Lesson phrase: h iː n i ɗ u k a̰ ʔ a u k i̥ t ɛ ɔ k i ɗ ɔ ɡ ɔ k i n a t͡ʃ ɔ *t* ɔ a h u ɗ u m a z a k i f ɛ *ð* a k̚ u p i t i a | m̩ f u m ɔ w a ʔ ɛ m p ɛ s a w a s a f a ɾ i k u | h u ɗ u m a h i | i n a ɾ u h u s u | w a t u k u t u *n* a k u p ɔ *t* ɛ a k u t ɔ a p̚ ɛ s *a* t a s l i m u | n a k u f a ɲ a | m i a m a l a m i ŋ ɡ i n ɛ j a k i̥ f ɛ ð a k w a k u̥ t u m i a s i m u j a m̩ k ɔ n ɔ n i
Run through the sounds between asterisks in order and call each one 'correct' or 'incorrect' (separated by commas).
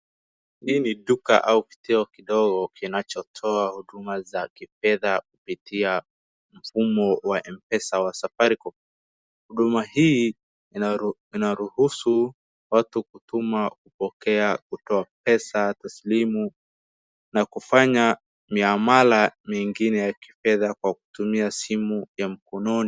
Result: incorrect, correct, incorrect, incorrect, correct